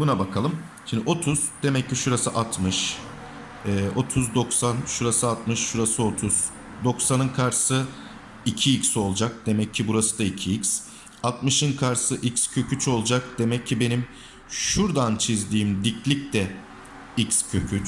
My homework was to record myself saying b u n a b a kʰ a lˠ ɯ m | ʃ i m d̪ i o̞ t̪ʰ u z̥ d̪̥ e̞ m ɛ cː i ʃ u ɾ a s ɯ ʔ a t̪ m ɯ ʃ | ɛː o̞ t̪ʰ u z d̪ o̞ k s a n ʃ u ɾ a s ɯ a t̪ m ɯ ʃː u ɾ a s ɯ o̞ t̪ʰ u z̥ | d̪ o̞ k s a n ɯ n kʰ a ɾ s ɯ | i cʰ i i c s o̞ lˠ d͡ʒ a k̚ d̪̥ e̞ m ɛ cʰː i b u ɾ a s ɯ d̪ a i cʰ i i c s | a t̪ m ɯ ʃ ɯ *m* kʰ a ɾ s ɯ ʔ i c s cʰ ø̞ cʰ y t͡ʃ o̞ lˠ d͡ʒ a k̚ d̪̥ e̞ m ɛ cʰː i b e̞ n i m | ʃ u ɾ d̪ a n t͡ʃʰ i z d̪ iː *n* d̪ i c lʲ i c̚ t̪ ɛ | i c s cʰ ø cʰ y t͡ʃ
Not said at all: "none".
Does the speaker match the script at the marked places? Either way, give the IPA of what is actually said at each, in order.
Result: n, m

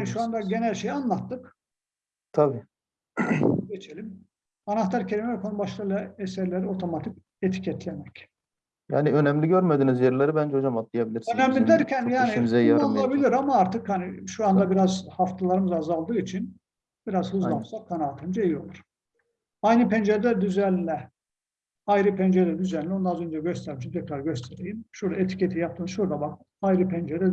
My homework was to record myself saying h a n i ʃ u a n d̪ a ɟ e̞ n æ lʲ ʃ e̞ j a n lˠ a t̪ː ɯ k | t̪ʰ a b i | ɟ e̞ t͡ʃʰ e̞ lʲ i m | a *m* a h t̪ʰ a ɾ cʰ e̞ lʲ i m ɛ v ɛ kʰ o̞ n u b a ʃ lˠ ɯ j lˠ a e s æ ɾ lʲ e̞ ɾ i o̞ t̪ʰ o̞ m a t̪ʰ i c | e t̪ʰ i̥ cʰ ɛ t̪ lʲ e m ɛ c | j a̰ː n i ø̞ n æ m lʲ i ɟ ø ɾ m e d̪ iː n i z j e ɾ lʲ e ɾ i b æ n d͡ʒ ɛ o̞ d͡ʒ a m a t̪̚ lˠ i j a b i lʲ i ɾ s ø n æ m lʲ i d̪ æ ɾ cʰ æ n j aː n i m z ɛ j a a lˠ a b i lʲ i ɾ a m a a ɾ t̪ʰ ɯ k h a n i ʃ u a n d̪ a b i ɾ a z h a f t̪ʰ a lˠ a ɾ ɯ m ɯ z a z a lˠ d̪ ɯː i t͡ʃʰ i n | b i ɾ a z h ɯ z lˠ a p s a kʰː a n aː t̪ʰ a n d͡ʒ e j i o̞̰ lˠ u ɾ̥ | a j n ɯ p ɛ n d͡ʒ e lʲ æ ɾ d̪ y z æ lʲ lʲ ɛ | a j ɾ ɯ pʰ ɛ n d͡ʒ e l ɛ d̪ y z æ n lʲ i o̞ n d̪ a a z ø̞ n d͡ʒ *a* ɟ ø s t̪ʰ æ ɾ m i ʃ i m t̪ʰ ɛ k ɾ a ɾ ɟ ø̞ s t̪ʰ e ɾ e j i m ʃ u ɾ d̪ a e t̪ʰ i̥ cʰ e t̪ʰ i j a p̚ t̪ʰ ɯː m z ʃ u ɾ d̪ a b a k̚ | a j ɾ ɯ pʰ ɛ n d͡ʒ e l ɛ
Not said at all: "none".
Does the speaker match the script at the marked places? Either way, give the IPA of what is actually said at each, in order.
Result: n, ɛ

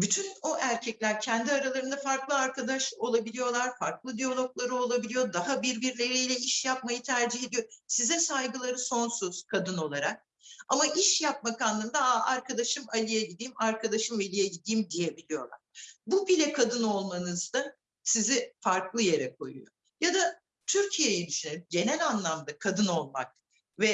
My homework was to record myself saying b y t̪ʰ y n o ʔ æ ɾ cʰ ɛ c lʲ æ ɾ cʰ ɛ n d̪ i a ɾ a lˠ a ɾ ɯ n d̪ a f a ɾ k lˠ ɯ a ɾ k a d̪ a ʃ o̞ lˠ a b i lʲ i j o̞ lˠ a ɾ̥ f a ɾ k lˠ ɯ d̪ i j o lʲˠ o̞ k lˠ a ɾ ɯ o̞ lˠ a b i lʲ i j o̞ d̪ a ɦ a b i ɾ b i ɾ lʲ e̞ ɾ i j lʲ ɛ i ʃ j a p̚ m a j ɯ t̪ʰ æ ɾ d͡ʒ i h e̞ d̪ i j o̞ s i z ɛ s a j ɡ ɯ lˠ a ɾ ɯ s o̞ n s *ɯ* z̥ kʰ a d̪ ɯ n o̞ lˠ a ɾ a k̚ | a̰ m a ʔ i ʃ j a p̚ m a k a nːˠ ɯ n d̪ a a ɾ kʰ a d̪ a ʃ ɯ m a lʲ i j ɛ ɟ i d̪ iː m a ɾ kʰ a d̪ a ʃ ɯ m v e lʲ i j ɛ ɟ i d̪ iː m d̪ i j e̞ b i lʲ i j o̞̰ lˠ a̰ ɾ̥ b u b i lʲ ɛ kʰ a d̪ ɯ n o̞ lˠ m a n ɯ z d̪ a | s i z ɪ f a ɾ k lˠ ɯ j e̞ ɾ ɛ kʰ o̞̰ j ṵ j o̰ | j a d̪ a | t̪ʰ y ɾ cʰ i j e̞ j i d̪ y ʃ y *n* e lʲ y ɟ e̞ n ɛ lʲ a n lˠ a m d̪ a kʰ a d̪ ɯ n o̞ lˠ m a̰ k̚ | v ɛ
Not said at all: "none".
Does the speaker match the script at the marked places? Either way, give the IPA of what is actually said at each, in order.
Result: u, n

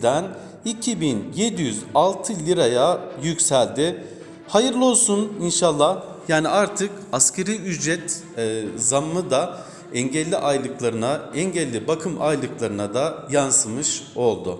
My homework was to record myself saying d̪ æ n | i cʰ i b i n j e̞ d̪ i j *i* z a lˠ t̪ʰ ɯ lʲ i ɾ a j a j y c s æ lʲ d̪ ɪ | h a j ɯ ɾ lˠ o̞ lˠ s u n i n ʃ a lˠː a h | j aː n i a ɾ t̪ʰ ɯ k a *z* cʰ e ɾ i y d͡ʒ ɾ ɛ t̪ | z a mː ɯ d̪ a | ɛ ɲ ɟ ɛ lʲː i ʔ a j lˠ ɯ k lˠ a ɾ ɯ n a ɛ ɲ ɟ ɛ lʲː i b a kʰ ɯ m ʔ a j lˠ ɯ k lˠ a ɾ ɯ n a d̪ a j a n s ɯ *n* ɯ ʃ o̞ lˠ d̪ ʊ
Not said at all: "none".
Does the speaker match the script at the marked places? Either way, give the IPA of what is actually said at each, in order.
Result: y, s, m

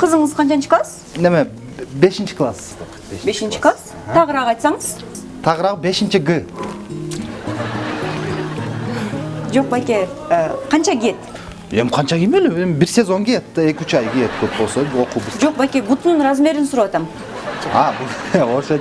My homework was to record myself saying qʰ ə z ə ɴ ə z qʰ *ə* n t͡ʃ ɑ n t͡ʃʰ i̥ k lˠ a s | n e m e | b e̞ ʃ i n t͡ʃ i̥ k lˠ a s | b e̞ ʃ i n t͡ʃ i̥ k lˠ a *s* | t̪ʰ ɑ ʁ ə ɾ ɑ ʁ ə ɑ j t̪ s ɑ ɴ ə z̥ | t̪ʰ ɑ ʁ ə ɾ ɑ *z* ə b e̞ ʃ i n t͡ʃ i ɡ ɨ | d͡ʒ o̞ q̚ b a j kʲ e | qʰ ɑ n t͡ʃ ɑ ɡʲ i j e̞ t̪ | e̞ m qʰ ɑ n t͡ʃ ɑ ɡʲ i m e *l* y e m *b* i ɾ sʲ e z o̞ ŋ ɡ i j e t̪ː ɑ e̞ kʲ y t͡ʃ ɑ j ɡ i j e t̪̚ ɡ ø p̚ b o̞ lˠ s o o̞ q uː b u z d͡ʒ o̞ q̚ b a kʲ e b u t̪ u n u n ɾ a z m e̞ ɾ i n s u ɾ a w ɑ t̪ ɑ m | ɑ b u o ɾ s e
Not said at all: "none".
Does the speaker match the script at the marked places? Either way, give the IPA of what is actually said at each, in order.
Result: ɑ, s, ʁ, l, b

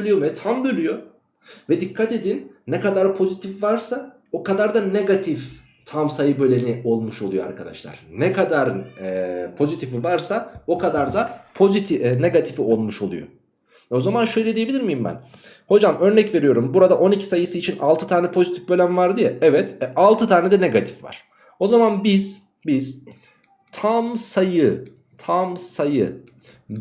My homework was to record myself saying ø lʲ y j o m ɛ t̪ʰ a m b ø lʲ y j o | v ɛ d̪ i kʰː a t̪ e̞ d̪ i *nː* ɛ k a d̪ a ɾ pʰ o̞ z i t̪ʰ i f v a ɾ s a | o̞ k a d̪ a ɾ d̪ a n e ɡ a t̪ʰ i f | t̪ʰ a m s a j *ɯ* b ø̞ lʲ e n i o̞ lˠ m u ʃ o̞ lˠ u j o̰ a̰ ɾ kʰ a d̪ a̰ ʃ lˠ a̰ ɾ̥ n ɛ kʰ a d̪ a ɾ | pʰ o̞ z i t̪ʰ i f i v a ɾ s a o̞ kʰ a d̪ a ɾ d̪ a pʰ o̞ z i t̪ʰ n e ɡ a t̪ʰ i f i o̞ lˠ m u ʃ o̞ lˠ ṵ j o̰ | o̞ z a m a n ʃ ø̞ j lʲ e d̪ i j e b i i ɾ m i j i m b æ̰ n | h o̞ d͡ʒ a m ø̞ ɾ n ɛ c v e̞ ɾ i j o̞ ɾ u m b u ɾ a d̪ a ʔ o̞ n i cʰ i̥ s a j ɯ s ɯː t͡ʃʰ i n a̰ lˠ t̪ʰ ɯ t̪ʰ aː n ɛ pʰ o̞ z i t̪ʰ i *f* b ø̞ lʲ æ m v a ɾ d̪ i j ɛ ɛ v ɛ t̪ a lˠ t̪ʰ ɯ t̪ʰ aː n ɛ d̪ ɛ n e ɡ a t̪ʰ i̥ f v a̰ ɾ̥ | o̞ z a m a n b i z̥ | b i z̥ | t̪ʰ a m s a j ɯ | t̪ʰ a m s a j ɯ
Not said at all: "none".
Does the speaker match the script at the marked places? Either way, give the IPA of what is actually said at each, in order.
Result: nː, ɯ, f

